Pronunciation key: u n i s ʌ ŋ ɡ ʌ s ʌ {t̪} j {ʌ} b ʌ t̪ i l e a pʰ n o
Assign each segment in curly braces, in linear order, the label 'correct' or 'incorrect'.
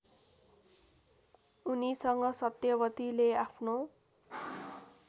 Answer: correct, correct

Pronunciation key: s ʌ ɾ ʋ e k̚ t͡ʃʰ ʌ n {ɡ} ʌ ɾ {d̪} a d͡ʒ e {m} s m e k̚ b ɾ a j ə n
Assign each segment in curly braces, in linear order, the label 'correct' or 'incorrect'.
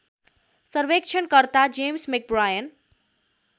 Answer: incorrect, incorrect, correct

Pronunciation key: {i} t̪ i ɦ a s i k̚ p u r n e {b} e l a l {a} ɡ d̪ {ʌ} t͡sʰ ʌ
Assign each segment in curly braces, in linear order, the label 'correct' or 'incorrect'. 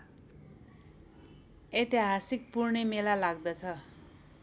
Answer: incorrect, incorrect, correct, correct

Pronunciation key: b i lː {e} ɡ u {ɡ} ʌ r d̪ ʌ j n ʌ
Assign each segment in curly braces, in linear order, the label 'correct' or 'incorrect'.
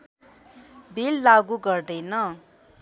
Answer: incorrect, correct

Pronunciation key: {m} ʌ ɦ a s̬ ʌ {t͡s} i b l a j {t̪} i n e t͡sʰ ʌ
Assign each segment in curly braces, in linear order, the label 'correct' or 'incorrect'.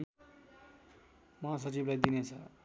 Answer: correct, correct, incorrect

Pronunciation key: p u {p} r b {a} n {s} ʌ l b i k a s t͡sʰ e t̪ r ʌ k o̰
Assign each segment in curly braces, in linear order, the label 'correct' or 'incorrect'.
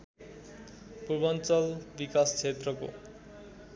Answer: incorrect, incorrect, incorrect

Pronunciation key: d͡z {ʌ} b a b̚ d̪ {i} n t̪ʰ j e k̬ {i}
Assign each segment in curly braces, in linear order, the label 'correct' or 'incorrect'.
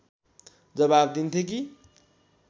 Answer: correct, correct, correct

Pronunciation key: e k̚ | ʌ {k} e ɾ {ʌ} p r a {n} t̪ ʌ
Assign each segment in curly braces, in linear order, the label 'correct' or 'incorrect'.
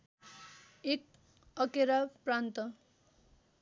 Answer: correct, incorrect, correct

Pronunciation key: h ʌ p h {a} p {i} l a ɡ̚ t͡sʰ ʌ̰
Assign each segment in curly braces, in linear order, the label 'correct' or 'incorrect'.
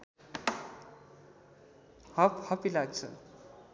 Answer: incorrect, correct

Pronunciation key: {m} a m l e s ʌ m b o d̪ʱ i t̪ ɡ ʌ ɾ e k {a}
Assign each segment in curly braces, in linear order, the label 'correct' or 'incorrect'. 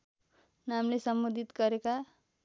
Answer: incorrect, correct

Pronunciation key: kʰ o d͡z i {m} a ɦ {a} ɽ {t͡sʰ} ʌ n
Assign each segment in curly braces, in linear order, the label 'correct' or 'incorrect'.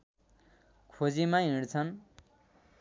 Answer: correct, incorrect, correct

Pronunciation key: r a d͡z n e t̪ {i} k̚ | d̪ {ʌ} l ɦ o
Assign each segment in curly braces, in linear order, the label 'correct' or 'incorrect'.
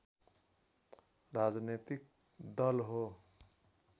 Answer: correct, correct

